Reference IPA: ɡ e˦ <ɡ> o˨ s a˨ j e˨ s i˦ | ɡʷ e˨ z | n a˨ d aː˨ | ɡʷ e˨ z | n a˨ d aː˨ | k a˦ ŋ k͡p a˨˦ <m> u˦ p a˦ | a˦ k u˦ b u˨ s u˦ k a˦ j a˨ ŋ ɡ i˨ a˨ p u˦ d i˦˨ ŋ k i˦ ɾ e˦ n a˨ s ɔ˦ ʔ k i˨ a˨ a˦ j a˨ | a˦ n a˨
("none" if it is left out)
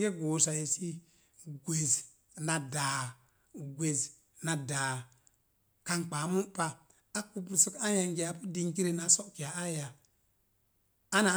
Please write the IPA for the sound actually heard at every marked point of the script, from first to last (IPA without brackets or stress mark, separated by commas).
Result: ɡ, m